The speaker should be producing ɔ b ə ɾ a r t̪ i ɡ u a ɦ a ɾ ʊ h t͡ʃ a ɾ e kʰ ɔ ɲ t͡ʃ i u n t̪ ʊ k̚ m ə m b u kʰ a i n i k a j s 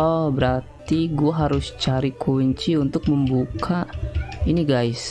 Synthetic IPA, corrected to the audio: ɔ b ə ɾ a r t̪ i ɡ u a ɦ a ɾ ʊ s t͡ʃ a ɾ i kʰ u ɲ t͡ʃ i u n t̪ ʊ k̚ m ə m b u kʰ a i n i ɡ a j s